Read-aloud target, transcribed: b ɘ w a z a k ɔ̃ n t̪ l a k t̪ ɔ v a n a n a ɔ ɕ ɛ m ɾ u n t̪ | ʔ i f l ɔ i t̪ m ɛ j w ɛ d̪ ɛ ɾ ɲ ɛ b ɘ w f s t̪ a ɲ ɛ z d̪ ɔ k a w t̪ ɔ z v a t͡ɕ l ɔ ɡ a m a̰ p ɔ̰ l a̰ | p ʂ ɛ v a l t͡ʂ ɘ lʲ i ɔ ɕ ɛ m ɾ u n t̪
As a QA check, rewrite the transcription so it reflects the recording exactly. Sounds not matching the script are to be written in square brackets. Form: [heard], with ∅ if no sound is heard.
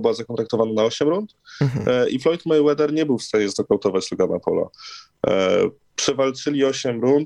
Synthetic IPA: b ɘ w a z a k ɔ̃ n t̪ [ɾ] a k t̪ ɔ v a n a n a ɔ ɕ ɛ m ɾ u n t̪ | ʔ i f l ɔ [j] t̪ m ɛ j w ɛ d̪ ɛ ɾ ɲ ɛ b ɘ w f s t̪ a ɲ ɛ z d̪ ɔ k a w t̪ ɔ [∅] v a t͡ɕ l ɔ ɡ a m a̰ p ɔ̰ l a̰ | p ʂ ɛ v a l t͡ʂ ɘ lʲ i ɔ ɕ ɛ m ɾ u n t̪